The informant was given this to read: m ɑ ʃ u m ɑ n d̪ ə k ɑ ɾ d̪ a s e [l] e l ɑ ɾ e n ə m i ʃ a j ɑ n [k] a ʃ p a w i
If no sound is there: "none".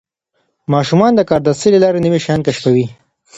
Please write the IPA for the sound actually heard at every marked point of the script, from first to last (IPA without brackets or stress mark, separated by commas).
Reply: l, k